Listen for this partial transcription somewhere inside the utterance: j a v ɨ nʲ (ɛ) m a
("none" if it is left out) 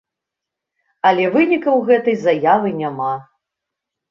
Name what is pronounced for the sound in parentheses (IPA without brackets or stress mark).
a